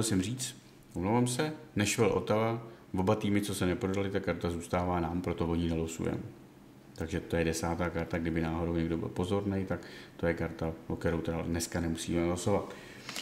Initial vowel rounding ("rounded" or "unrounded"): unrounded